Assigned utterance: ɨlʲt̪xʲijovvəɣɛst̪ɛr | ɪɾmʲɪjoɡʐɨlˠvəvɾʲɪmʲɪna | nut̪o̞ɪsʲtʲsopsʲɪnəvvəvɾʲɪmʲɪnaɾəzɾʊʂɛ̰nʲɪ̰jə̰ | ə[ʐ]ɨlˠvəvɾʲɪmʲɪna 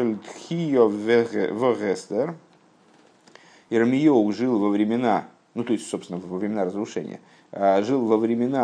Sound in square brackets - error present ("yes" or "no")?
no